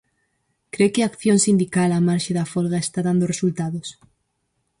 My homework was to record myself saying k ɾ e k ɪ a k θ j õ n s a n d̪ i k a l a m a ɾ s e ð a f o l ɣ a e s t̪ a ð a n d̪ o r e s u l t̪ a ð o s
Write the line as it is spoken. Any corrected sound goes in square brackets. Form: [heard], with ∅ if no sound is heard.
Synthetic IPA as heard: k ɾ e k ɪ a k θ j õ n s [i] n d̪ i k a l a m a ɾ [ʃ] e ð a f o l ɣ a e s t̪ a ð a n d̪ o r e s u l t̪ a ð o s

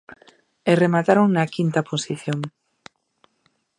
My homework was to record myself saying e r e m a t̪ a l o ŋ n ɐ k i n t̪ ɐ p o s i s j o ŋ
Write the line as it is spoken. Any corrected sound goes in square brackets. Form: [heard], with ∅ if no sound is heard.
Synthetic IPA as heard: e r e m a t̪ a [ɾ] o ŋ n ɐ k i n t̪ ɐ p o s i [θ] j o ŋ

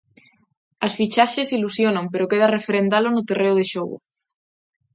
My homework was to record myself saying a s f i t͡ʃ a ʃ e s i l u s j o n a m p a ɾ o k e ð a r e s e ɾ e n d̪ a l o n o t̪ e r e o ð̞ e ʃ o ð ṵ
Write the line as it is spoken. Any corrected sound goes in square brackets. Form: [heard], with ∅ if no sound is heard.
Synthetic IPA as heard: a s f i t͡ʃ a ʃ e s i l u s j o n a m p [e] ɾ o k e ð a r e [f] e ɾ e n d̪ a l o n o t̪ e r e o ð̞ e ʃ o [ɣ] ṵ

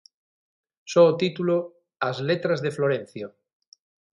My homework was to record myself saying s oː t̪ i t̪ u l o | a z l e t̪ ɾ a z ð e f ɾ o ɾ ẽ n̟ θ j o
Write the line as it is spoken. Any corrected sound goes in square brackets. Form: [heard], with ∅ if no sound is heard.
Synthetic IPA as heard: s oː t̪ i t̪ u l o | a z l e t̪ ɾ a z ð e f [l] o ɾ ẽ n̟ θ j o

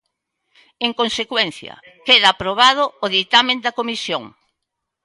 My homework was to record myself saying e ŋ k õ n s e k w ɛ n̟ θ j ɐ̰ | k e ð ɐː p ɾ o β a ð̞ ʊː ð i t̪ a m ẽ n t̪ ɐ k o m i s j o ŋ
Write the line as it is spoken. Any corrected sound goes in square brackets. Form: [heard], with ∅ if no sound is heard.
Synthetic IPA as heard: e ŋ k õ n s e k w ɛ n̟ θ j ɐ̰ | k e ð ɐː p ɾ o β a ð̞ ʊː ð i t̪ a m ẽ n [d̪] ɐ k o m i s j o ŋ

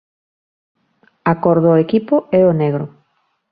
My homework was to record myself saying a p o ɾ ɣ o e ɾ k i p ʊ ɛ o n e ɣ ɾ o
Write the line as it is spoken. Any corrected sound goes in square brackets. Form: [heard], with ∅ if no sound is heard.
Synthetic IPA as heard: a [k] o ɾ [ð] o e [∅] k i p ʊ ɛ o n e ɣ ɾ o

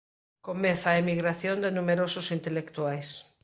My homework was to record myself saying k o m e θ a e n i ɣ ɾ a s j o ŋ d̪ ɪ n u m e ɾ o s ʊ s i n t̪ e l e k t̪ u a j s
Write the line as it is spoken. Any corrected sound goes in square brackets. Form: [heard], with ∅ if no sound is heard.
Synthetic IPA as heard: k o m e θ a e [m] i ɣ ɾ a [θ] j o [n] d̪ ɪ n u m e ɾ o s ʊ s i n t̪ e l e k t̪ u a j s

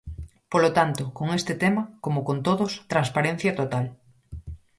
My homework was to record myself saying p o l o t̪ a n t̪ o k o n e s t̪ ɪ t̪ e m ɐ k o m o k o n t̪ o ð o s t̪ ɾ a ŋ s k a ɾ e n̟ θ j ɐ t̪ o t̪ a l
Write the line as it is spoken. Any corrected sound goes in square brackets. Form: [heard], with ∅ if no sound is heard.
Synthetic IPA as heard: p o l o t̪ a n t̪ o k o [ŋ] e s t̪ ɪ t̪ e m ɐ k o m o k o n t̪ o ð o s t̪ ɾ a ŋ s [p] a ɾ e n̟ θ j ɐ t̪ o t̪ a l

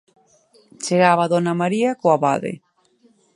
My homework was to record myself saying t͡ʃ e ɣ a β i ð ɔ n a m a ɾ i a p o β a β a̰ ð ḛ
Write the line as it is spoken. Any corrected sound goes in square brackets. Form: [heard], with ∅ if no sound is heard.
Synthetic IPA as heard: t͡ʃ e ɣ a β [a] ð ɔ n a m a ɾ i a [k] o [∅] a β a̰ ð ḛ

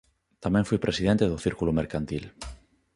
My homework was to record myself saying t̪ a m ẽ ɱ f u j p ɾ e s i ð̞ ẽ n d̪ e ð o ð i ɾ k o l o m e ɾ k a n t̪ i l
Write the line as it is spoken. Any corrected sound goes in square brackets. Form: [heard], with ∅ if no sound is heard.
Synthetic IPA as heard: t̪ a m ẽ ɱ f u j p ɾ e s i ð̞ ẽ n [t̪] e ð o [θ] i ɾ k [u] l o m e ɾ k a n t̪ i l

